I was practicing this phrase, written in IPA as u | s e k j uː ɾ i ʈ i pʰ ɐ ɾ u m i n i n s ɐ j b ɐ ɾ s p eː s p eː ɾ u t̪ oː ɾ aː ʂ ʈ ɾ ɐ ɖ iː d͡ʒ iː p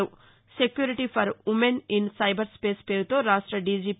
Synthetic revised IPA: u | s e k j uː ɾ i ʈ i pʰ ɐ ɾ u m e n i n s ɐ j b ɐ ɾ s p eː s p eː ɾ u t̪ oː ɾ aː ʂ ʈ ɾ ɐ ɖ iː d͡ʒ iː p

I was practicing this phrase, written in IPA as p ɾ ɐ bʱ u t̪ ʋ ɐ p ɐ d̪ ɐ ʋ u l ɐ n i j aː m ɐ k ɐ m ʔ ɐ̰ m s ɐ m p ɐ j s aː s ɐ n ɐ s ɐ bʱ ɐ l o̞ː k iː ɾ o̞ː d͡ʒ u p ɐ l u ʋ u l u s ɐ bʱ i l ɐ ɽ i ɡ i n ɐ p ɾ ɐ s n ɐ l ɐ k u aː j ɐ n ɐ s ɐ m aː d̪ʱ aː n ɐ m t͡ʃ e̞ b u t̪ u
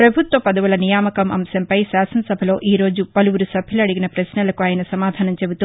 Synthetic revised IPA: p ɾ ɐ bʱ u t̪ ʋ ɐ p ɐ d̪ ɐ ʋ u l ɐ n i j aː m ɐ k ɐ m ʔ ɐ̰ m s ɐ m p ɐ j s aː s ɐ n ɐ s ɐ bʱ ɐ l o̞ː ʔ iː ɾ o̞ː d͡ʒ u p ɐ l u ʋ u ɾ u s ɐ bʱ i l ɐ ɽ i ɡ i n ɐ p ɾ ɐ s n ɐ l ɐ k u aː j ɐ n ɐ s ɐ m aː d̪ʱ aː n ɐ m t͡ʃ e̞ b u t̪ u

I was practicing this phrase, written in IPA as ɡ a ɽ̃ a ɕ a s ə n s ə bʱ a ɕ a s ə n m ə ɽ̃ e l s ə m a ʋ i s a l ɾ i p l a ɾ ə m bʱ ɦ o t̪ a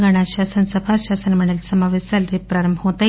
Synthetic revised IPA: ɡ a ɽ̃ a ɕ a s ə n s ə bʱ a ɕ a s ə n m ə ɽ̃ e l s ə m a ʋ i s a l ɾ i p ɾ a ɾ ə m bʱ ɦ o t̪ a

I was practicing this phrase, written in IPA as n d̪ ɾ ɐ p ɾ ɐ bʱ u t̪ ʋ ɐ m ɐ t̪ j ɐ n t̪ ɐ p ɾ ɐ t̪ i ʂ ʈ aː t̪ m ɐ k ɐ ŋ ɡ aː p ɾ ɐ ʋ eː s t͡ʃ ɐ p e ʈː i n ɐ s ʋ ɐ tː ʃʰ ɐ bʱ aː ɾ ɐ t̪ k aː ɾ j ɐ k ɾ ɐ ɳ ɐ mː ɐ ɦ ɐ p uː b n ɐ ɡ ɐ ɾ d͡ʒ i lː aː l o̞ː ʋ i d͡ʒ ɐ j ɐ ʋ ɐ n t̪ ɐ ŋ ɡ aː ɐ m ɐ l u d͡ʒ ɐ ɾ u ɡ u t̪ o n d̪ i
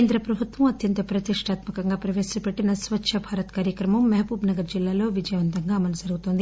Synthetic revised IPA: n d̪ ɾ ɐ p ɾ ɐ bʱ u t̪ ʋ ɐ m ɐ t̪ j ɐ n t̪ ɐ p ɾ ɐ t̪ i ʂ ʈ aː t̪ m ɐ k ɐ ŋ ɡ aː p ɾ ɐ ʋ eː s t͡ʃ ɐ p e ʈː i n ɐ s ʋ ɐ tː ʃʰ ɐ bʱ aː ɾ ɐ t̪ k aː ɾ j ɐ k ɾ ɐ m ɐ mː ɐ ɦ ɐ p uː b n ɐ ɡ ɐ ɾ d͡ʒ i lː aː l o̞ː ʋ i d͡ʒ ɐ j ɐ ʋ ɐ n t̪ ɐ ŋ ɡ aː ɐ m ɐ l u d͡ʒ ɐ ɾ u ɡ u t̪ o n d̪ i

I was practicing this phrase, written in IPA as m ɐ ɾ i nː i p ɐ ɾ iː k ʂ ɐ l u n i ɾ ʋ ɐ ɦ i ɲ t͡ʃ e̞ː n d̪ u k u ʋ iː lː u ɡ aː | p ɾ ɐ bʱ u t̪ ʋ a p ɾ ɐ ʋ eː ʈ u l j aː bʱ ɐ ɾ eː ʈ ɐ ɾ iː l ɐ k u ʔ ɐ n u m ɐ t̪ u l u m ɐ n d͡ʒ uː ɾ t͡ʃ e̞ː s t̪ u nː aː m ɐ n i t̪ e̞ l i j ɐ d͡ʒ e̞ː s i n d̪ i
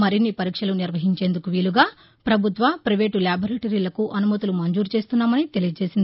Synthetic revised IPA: m ɐ ɾ i nː i p ɐ ɾ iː k ʂ ɐ l u n i ɾ ʋ ɐ ɦ i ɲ t͡ʃ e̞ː n d̪ u k u ʋ iː l u ɡ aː | p ɾ ɐ bʱ u t̪ ʋ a p ɾ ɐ ʋ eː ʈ u l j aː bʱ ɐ ɾ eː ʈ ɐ ɾ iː l ɐ k u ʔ ɐ n u m ɐ t̪ u l u m ɐ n d͡ʒ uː ɾ t͡ʃ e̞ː s t̪ u nː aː m ɐ n i t̪ e̞ l i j ɐ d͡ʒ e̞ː s i n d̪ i

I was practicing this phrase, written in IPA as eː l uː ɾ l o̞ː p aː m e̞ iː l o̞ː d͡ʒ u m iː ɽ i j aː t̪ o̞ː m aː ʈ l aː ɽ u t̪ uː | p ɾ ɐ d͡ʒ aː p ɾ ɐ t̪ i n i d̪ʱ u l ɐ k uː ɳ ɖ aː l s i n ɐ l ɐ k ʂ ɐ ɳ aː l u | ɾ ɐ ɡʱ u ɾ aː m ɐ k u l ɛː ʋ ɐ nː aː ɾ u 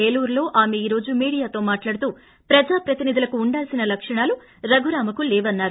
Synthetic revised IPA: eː l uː ɾ l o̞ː ʔ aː m e̞ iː ɾ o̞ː d͡ʒ u m iː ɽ i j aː t̪ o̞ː m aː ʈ l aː ɽ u t̪ uː | p ɾ ɐ d͡ʒ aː p ɾ ɐ t̪ i n i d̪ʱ u l ɐ k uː ɳ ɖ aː l s i n ɐ l ɐ k ʂ ɐ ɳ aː l u | ɾ ɐ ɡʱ u ɾ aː m ɐ k u l ɛː ʋ ɐ nː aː ɾ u

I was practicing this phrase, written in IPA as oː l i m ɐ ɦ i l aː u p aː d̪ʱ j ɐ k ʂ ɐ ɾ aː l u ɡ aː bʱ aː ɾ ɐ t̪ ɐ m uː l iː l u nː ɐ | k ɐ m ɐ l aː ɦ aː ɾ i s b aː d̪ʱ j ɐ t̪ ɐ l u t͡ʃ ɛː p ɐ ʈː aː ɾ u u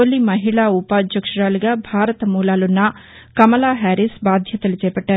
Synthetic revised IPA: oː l i m ɐ ɦ i ɭ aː u p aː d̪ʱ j ɐ k ʂ ɐ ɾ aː l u ɡ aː bʱ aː ɾ ɐ t̪ ɐ m uː l aː l u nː ɐ | k ɐ m ɐ l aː ɦ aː ɾ i s b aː d̪ʱ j ɐ t̪ ɐ l u t͡ʃ ɛː p ɐ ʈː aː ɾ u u

